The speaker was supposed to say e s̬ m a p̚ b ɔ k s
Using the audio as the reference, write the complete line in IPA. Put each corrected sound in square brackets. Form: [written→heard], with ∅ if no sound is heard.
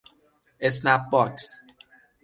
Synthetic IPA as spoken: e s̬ [m→n] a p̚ b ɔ k s